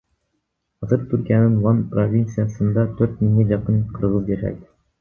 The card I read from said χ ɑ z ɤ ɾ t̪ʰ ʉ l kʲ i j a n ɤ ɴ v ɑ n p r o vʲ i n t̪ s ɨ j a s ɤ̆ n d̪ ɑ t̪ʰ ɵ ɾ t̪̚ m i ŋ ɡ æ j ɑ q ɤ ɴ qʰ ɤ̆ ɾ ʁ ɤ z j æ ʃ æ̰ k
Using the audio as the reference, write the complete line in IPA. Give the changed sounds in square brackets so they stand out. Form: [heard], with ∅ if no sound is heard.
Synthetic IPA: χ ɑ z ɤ ɾ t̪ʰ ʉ [ɾ] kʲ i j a n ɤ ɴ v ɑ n p r o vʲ i n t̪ s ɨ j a s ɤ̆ n d̪ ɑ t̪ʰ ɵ ɾ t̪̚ m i ŋ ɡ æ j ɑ q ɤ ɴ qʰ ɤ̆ ɾ ʁ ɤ z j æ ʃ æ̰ k

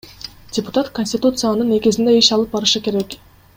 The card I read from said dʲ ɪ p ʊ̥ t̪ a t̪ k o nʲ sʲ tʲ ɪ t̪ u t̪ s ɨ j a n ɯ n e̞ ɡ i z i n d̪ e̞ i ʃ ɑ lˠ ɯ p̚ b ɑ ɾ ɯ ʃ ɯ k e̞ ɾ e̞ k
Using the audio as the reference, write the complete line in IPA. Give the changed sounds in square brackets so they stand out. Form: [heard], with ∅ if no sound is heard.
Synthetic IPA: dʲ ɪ p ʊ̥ t̪ a t̪ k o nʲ sʲ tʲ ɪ t̪ u t̪ s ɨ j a n ɯ n e̞ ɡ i z i n d̪ e̞ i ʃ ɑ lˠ ɯ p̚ b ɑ ɾ ɯ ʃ ɯ k e̞ ɾ e̞ k

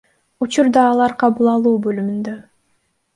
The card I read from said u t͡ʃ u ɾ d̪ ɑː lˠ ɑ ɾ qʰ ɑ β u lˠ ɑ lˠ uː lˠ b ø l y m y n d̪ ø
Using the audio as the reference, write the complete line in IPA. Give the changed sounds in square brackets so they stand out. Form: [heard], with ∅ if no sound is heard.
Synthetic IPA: u t͡ʃ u ɾ d̪ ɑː lˠ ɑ ɾ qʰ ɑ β u lˠ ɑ lˠ uː [∅] b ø l y m y n d̪ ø

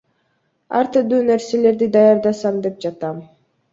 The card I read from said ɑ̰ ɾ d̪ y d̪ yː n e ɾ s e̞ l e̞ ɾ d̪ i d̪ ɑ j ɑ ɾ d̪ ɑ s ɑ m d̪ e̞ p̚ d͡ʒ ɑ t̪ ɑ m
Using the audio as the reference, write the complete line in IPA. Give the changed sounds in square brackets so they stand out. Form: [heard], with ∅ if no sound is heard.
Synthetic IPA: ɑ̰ ɾ [t̪] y d̪ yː n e ɾ s e̞ l e̞ ɾ d̪ i d̪ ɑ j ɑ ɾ d̪ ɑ s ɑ m d̪ e̞ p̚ d͡ʒ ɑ t̪ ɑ m

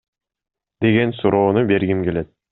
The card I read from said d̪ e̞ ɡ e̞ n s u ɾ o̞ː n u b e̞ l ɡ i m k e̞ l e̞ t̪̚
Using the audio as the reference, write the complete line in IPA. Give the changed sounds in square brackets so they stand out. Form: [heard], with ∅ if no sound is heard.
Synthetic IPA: d̪ e̞ ɡ e̞ n s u ɾ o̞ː n u b e̞ [ɾ] ɡ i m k e̞ l e̞ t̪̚

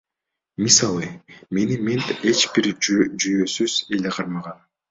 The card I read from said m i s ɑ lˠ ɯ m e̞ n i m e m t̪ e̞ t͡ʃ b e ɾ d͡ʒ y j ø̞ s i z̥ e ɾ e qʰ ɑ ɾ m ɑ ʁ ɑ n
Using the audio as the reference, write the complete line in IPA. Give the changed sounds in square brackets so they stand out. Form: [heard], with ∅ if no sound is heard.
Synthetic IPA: m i s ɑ lˠ ɯ m e̞ n i m e [n] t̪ e̞ t͡ʃ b [i] ɾ d͡ʒ y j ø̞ s [y] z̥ e [l] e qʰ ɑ ɾ m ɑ ʁ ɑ n

